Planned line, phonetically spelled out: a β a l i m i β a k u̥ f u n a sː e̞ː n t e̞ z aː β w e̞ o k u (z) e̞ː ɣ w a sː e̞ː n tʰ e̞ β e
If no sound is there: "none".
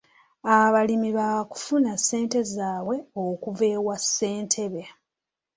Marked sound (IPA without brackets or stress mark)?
v